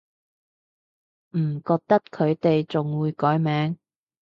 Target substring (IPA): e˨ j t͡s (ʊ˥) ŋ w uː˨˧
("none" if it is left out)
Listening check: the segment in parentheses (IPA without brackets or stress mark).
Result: ʊ˨